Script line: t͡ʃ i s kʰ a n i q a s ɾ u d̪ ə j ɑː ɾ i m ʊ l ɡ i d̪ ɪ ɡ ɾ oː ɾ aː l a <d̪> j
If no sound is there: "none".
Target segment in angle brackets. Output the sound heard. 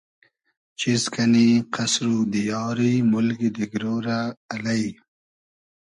none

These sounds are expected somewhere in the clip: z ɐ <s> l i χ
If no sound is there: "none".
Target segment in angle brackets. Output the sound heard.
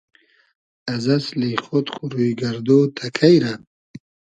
s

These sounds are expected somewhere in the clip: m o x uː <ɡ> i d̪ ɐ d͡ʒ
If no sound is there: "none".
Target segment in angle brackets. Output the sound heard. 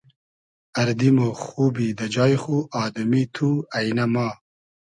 b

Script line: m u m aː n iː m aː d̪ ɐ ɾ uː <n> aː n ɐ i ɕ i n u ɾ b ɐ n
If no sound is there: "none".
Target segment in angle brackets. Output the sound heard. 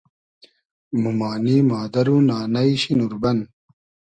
n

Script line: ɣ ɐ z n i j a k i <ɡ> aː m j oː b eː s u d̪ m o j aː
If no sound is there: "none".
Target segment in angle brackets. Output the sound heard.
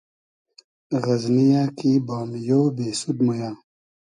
b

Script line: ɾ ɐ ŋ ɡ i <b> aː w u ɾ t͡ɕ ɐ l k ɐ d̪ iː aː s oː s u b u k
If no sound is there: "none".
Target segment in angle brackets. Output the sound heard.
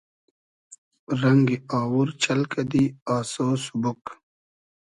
none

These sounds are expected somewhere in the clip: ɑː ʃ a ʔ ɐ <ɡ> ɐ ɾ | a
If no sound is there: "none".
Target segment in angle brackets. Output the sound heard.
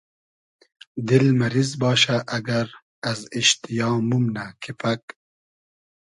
ɡ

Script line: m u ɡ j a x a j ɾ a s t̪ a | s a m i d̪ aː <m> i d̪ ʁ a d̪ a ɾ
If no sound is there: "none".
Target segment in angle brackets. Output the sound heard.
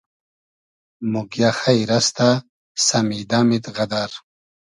m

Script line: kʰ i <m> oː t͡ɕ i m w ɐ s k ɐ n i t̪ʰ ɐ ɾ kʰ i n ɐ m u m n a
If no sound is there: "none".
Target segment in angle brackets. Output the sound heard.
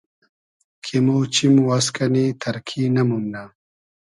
m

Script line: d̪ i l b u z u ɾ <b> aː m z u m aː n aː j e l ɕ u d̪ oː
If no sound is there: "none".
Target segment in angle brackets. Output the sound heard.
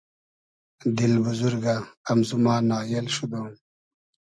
ɡ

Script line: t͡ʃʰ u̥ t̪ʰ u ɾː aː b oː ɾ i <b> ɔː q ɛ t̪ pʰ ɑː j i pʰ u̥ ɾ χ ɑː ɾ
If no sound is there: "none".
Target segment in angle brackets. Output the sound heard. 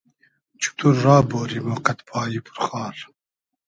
m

